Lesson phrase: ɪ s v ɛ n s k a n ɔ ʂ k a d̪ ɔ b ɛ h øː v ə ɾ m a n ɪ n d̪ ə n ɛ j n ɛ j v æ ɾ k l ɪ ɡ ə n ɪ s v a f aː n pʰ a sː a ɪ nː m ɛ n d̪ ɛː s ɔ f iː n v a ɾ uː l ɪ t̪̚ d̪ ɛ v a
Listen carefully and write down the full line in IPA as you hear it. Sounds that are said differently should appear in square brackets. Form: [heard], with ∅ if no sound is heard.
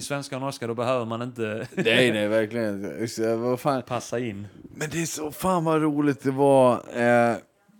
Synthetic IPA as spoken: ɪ s v ɛ n s k a n ɔ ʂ k a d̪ ɔ b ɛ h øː v ə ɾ m a n ɪ n [t̪] ə n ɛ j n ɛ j v æ ɾ k l ɪ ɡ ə n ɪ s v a f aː n pʰ a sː a ɪ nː m ɛ n d̪ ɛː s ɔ f [aː] n v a ɾ uː l ɪ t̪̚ d̪ ɛ v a